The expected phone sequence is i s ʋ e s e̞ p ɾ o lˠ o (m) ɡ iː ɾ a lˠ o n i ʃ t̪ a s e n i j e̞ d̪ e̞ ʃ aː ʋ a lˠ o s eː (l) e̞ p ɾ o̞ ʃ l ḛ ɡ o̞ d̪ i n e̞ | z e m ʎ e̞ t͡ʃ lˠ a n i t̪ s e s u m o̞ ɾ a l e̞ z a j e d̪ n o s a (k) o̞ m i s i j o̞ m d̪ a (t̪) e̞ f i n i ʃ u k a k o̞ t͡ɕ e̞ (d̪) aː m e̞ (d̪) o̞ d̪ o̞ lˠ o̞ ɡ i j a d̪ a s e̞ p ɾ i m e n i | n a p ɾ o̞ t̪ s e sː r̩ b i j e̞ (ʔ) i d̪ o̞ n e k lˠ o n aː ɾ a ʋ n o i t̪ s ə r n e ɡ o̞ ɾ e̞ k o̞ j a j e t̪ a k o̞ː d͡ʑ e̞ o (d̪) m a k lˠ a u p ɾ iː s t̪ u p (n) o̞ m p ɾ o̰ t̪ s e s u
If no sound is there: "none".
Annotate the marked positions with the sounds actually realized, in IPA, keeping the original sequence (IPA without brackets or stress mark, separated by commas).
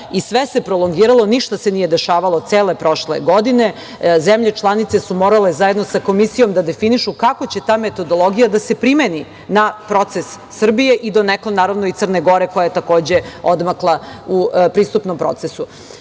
ŋ, l, k, d̪, t̪, t̪, ʔ, d̪, n